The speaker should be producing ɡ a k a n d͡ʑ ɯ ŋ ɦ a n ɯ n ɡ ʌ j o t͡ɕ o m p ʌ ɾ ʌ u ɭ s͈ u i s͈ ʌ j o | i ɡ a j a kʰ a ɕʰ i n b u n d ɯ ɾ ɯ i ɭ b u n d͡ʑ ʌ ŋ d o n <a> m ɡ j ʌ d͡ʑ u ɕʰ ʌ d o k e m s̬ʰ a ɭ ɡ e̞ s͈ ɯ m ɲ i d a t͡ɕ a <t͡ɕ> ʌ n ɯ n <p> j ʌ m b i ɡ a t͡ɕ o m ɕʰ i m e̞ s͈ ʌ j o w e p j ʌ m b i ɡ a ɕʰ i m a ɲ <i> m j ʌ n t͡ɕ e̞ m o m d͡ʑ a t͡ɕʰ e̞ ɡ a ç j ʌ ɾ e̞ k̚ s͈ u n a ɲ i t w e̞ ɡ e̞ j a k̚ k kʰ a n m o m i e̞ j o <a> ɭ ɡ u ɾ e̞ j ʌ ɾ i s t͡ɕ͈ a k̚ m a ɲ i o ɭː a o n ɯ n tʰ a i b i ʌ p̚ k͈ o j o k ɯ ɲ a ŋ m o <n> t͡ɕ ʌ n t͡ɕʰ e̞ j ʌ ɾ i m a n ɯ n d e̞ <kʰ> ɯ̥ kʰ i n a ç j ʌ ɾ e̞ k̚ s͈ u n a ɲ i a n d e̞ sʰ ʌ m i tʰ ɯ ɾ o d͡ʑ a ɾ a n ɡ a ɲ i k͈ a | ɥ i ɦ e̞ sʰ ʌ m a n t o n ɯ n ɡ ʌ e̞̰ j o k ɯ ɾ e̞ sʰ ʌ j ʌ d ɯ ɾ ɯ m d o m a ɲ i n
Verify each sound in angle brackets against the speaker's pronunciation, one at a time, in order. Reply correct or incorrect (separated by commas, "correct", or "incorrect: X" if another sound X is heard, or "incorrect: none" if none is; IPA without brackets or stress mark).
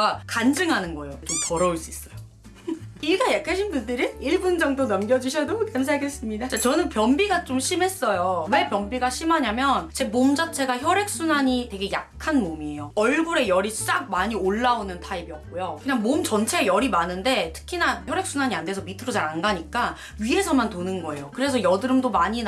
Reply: incorrect: ʌ, correct, correct, incorrect: a, incorrect: ʌ, incorrect: m, incorrect: tʰ